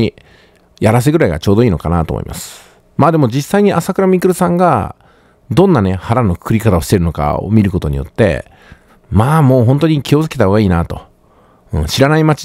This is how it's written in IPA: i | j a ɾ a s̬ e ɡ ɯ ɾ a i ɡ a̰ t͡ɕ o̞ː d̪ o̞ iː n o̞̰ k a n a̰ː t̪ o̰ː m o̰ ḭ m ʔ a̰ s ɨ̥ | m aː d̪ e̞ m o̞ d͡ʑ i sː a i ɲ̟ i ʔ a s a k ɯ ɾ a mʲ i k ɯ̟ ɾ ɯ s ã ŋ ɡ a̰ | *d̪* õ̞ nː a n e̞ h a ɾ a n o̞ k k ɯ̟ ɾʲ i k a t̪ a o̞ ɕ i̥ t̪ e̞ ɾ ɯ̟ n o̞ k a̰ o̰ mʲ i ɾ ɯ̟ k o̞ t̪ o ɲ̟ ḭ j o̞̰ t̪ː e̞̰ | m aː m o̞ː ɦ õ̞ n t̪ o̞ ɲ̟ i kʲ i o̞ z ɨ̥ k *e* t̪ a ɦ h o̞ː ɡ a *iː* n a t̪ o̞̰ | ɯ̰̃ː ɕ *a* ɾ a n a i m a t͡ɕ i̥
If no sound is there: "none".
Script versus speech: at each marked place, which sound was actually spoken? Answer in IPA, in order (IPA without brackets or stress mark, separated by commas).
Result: d̪, e, iː, i